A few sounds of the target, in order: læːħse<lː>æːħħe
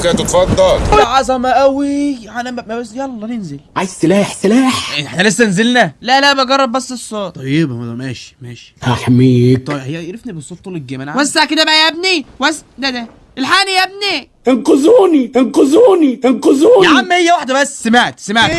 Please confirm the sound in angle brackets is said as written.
no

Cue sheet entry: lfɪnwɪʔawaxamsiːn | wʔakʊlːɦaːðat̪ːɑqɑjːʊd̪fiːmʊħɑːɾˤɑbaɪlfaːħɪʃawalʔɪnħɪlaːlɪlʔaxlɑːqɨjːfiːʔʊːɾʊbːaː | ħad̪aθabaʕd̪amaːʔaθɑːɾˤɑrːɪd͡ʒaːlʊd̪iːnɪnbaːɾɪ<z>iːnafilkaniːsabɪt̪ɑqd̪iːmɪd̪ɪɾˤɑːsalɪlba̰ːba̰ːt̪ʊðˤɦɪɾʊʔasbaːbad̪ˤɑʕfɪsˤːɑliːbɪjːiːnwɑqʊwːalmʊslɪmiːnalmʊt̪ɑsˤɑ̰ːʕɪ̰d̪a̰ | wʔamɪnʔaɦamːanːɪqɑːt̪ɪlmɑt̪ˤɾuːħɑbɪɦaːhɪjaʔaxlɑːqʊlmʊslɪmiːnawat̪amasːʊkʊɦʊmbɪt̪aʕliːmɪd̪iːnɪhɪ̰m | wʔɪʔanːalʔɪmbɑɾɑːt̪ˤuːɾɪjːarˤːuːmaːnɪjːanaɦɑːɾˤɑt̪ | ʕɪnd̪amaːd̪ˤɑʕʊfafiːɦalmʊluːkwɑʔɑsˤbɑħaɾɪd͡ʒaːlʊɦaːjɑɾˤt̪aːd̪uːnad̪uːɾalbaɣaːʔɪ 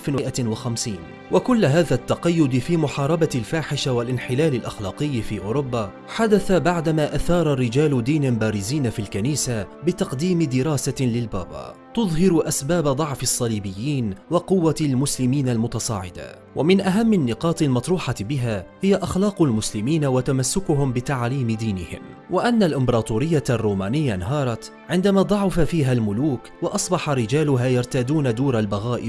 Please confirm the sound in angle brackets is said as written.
yes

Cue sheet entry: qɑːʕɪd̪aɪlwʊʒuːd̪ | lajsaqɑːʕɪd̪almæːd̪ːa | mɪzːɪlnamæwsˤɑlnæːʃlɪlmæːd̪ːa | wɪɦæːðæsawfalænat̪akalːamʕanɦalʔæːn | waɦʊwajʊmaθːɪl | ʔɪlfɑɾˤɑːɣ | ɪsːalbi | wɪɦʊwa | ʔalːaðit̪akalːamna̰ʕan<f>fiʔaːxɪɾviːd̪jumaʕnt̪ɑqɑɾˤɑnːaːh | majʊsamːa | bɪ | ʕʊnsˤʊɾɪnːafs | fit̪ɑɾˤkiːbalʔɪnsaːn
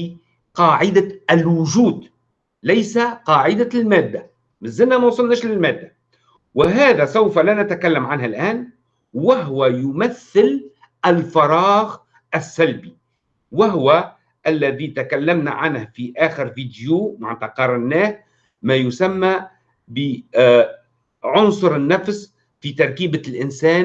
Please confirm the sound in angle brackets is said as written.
no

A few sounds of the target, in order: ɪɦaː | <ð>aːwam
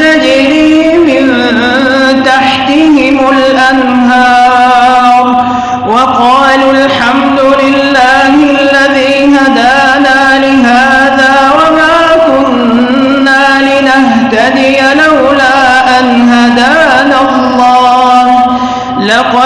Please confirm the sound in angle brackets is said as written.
yes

